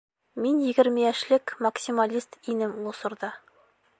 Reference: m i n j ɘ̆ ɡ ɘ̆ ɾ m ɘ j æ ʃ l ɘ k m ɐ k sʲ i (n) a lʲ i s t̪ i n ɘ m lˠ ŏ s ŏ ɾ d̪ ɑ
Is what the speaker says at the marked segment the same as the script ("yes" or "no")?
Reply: no